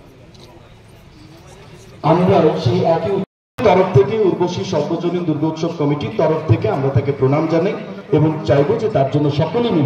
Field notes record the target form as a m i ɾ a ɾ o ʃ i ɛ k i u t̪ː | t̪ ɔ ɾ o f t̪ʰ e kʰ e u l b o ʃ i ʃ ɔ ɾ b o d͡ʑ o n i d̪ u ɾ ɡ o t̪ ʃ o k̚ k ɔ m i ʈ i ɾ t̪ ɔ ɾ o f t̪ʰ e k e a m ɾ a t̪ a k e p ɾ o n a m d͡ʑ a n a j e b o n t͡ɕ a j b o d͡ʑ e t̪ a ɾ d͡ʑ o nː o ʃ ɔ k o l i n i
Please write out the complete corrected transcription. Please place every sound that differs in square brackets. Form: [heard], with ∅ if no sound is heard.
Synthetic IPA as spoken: a m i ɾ a ɾ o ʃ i ɛ k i u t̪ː | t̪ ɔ ɾ o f t̪ʰ e [k] e u [ɾ] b o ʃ i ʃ ɔ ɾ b o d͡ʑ o n i d̪ u ɾ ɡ o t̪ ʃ o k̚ k ɔ m i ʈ i ɾ t̪ ɔ ɾ o f t̪ʰ e k e a m ɾ a t̪ a k e p ɾ o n a m d͡ʑ a n a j e b o [ŋ] t͡ɕ a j b o d͡ʑ e t̪ a ɾ d͡ʑ o nː o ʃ ɔ k o l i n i